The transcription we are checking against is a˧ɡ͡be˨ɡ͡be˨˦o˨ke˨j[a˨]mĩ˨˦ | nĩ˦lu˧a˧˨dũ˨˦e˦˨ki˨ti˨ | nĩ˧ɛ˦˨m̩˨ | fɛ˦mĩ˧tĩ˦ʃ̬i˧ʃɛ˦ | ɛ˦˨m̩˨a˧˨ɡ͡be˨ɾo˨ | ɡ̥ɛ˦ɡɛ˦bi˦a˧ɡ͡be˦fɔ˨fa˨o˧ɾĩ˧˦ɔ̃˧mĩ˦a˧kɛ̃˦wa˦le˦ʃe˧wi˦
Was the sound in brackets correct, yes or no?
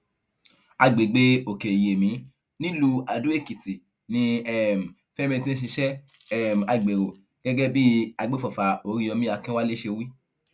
no